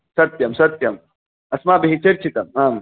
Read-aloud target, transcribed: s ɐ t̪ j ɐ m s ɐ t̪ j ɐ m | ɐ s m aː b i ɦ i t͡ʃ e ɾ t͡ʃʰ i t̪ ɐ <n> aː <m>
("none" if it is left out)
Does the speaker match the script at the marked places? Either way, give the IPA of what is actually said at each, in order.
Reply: m, m

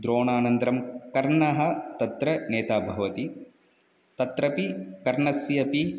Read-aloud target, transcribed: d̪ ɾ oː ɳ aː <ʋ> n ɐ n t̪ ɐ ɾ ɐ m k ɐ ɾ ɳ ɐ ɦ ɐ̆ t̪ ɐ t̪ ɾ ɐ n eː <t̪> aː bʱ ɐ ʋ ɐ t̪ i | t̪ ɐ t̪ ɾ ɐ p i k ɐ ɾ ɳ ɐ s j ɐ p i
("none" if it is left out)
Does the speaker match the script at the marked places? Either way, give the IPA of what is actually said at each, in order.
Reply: none, t̪

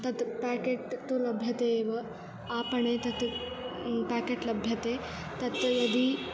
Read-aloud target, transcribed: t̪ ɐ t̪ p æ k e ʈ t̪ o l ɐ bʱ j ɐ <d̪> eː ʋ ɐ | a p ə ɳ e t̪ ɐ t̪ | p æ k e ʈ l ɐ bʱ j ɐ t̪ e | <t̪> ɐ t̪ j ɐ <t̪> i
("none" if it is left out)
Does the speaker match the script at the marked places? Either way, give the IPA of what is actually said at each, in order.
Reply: t̪, t̪, d̪

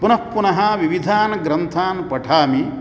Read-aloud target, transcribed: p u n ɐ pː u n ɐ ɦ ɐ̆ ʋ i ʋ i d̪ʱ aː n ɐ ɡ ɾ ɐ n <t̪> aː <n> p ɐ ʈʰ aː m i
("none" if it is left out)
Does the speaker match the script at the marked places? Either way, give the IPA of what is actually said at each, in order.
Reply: t̪ʰ, n

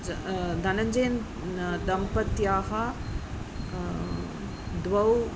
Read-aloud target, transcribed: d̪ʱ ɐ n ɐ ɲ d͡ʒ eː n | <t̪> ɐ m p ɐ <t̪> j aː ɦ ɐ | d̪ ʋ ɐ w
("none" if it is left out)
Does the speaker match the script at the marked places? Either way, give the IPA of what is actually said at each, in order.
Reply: d̪, t̪

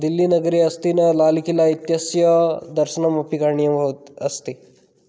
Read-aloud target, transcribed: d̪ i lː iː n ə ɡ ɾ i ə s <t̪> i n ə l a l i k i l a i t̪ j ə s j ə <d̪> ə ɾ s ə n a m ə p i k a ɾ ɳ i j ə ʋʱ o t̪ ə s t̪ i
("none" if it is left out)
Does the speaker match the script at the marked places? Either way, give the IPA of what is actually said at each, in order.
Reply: t̪, d̪

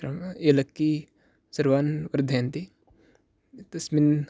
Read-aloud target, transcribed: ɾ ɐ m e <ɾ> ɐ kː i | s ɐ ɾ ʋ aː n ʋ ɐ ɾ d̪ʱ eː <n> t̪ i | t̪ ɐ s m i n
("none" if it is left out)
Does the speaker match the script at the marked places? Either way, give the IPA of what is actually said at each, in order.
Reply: l, n

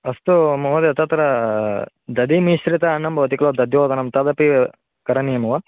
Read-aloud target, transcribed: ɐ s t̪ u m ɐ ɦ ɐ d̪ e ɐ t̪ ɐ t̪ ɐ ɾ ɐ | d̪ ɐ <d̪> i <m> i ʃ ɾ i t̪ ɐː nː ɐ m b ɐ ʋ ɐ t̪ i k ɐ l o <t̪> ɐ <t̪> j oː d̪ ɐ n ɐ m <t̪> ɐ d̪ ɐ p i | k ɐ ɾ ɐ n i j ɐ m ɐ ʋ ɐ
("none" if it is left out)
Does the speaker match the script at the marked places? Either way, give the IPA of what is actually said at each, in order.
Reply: d̪, m, d̪, d̪, t̪

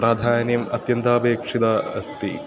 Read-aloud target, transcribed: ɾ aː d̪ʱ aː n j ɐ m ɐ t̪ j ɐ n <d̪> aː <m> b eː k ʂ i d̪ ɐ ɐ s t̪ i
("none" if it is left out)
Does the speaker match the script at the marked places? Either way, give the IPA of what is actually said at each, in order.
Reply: t̪, none

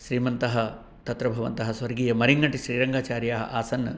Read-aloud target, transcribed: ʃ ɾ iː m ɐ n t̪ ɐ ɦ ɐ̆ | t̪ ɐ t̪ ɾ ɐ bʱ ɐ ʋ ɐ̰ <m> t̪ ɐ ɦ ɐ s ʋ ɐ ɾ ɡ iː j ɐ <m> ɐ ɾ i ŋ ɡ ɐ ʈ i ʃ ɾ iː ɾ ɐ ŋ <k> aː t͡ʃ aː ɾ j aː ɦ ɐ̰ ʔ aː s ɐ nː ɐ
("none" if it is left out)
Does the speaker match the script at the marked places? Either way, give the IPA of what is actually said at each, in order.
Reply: n, m, ɡ

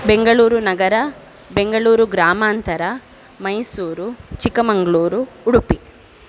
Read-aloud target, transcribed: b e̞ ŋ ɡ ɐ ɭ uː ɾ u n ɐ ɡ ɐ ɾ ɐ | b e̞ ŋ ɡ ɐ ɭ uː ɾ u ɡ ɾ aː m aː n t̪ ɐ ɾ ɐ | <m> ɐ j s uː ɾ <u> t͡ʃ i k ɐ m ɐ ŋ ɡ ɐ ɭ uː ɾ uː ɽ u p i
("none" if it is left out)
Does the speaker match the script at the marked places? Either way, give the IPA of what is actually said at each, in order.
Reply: m, u

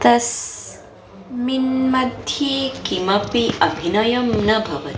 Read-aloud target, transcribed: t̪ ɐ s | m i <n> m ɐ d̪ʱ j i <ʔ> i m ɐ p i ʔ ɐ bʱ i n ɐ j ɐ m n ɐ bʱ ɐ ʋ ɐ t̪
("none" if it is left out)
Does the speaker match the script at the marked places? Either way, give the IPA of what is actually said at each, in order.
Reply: n, k

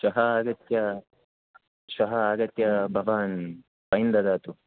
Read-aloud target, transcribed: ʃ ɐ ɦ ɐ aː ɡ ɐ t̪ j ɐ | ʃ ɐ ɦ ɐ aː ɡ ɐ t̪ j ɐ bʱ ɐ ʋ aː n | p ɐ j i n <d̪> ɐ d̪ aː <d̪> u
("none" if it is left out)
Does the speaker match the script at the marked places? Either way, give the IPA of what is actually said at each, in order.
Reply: d̪, t̪

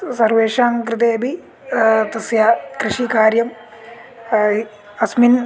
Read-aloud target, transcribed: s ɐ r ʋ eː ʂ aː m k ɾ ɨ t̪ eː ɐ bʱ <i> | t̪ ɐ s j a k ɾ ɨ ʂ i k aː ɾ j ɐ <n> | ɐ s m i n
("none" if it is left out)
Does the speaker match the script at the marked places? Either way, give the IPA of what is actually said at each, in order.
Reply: i, m

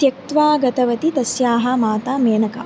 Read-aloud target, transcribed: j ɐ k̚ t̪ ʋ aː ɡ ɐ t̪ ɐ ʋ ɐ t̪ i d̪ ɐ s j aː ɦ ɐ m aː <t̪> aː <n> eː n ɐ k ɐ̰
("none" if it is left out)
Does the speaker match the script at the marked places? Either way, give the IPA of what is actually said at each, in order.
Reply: t̪, m

